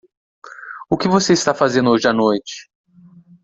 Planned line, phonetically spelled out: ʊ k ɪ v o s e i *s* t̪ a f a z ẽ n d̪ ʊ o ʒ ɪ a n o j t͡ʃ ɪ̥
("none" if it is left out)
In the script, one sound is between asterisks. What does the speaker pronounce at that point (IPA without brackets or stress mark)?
s